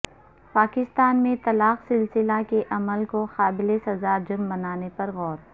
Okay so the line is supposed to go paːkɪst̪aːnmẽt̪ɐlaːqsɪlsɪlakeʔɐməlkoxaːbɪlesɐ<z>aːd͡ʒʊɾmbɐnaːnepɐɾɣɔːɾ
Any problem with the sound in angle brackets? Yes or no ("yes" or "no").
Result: no